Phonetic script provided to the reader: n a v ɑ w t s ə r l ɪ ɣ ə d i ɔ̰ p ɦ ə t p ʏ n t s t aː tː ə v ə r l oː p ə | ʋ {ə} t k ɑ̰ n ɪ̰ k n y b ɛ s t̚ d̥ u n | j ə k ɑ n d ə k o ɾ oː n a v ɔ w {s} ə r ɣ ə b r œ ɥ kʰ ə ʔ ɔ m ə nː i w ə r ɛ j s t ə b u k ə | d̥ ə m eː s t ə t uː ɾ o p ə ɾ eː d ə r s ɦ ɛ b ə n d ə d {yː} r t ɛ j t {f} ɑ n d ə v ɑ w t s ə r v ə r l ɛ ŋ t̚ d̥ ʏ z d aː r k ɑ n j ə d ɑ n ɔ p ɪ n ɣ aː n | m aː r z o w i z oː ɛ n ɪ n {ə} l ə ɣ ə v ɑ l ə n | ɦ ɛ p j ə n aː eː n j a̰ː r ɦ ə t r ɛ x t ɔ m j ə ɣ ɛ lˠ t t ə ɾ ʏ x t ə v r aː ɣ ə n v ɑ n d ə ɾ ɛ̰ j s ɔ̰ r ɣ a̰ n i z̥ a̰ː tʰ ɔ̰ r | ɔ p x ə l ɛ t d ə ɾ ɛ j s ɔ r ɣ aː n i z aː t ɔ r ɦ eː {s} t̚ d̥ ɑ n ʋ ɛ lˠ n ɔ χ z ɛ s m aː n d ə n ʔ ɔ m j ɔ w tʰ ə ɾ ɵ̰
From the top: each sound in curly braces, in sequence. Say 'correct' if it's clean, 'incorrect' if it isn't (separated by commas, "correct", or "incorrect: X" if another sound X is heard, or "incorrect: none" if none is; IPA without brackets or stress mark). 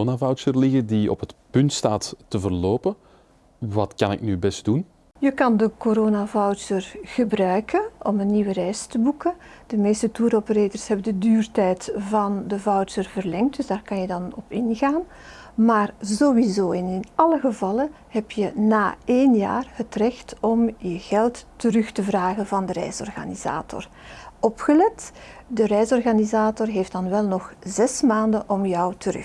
incorrect: ɑ, correct, correct, incorrect: v, incorrect: ɑ, incorrect: f